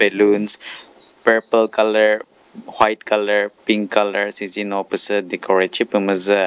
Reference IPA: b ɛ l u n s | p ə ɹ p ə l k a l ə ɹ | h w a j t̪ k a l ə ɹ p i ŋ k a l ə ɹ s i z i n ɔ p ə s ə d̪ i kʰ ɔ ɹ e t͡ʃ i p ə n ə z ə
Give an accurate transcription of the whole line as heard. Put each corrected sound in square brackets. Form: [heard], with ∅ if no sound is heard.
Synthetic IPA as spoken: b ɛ l u n s | p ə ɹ p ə l k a l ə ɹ | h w a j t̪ k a l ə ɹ p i ŋ k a l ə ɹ s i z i n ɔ p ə s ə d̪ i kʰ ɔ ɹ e t͡ʃ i p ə [m] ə z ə